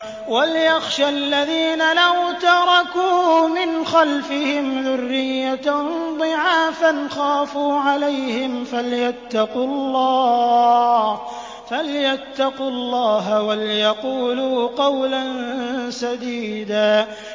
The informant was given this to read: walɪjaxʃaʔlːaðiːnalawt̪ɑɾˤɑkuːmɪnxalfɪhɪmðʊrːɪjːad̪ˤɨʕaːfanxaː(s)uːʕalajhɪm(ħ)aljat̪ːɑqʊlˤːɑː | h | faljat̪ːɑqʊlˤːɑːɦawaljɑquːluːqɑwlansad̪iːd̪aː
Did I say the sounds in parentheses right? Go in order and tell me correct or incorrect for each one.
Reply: incorrect, incorrect

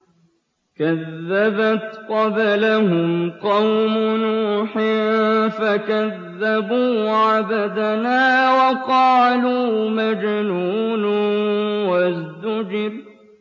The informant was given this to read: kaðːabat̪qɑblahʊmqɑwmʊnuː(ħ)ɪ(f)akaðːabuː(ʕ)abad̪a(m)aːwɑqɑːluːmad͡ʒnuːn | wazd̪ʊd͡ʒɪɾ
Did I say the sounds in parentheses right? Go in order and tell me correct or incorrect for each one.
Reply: correct, correct, correct, incorrect

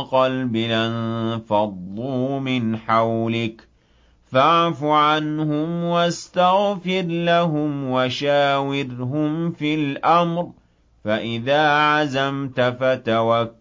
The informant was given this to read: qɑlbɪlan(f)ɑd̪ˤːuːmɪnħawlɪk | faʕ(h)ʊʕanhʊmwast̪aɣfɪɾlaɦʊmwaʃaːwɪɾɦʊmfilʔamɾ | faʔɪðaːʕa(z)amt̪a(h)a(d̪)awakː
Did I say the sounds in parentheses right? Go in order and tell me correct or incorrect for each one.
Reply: correct, incorrect, correct, incorrect, incorrect

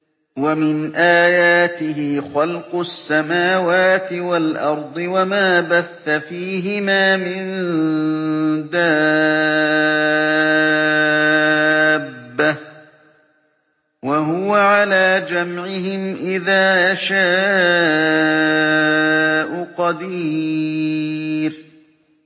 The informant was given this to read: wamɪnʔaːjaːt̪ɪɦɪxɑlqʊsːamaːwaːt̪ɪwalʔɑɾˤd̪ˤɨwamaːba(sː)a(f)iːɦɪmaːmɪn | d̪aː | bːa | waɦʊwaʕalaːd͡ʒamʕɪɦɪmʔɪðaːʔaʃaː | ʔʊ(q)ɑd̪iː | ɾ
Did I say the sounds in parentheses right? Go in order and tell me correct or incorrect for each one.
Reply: incorrect, correct, correct

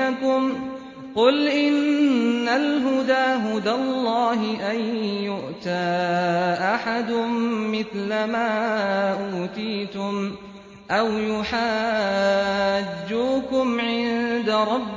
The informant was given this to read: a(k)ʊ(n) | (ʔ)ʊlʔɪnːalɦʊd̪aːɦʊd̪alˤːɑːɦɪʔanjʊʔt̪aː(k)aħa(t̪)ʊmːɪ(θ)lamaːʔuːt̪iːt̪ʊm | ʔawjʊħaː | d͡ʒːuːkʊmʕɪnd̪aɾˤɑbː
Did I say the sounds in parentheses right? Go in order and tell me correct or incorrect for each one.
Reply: correct, incorrect, incorrect, incorrect, incorrect, correct

